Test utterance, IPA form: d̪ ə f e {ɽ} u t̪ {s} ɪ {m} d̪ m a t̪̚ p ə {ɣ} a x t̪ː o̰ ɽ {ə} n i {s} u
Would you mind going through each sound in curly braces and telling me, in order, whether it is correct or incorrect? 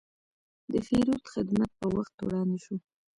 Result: incorrect, incorrect, incorrect, incorrect, incorrect, incorrect

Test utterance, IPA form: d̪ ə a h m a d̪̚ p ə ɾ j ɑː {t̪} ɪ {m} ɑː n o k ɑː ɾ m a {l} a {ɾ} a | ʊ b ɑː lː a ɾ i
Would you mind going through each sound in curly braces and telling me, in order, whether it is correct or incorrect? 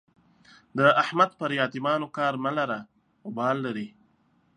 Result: correct, correct, correct, correct

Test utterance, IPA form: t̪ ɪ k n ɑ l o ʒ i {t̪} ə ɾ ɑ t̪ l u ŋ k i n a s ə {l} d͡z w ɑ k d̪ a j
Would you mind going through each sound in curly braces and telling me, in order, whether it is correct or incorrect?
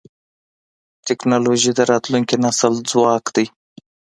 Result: incorrect, correct

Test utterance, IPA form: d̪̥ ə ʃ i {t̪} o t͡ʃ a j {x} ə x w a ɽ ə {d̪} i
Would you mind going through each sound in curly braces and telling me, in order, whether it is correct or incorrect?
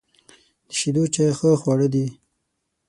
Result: incorrect, correct, correct

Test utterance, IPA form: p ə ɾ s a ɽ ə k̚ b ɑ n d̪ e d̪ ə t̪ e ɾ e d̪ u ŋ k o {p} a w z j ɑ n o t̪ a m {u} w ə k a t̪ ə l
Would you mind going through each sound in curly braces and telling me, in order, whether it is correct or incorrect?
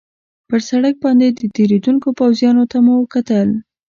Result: correct, correct

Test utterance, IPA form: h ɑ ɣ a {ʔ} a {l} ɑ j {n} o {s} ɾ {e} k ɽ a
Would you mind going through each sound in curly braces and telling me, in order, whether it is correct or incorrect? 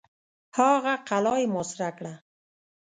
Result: incorrect, correct, incorrect, correct, incorrect

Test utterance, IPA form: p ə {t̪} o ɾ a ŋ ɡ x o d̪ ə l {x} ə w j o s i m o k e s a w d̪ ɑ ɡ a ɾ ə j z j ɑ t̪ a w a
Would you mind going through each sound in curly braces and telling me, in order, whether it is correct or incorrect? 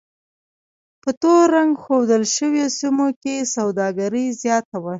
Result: correct, incorrect

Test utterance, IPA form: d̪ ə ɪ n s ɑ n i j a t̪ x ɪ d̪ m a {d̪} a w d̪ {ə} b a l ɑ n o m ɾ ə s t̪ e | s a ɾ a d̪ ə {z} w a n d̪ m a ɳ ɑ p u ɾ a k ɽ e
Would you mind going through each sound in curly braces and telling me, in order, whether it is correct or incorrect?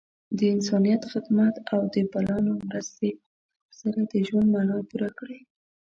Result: incorrect, correct, incorrect

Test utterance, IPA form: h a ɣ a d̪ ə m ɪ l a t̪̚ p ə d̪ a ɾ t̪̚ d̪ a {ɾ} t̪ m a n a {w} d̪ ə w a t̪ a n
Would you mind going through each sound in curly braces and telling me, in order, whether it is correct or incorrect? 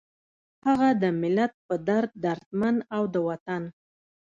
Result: correct, correct

